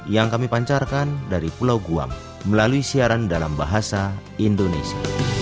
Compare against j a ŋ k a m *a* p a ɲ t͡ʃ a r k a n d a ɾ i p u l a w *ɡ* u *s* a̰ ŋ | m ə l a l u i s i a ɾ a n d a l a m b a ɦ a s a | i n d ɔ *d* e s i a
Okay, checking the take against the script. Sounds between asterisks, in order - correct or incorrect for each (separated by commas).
incorrect, correct, incorrect, incorrect